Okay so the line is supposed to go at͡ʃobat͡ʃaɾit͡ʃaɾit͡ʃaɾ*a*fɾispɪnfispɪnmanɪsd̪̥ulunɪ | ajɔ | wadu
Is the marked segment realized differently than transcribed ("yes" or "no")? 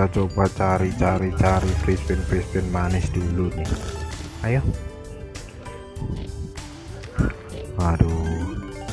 yes